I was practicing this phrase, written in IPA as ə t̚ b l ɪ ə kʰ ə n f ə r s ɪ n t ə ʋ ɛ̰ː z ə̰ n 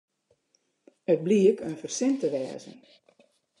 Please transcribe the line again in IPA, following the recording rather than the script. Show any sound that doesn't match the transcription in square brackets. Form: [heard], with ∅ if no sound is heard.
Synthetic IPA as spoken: ə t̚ b l [i] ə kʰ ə n f ə r s ɪ n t ə ʋ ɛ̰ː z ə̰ n